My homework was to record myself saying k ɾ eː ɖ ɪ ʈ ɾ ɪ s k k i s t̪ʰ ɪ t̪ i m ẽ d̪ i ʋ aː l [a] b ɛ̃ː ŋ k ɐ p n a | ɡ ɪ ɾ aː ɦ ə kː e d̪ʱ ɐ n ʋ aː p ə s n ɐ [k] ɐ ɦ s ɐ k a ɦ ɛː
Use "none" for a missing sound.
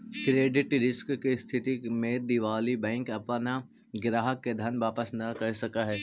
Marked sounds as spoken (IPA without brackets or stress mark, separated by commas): i, k